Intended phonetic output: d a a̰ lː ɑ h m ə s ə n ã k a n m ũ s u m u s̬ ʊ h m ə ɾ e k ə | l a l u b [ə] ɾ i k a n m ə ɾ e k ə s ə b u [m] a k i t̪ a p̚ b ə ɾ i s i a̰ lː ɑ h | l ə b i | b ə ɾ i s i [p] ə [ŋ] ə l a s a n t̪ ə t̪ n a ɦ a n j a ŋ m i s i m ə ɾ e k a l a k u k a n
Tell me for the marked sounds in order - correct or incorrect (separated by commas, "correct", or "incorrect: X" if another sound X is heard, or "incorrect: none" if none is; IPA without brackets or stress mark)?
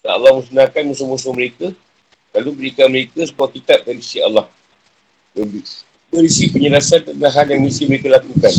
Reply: correct, incorrect: none, correct, incorrect: ɲ